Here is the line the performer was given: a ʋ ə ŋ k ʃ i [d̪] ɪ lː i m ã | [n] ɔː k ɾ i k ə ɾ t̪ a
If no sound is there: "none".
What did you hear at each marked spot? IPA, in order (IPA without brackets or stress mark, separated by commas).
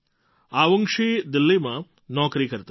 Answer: d̪, n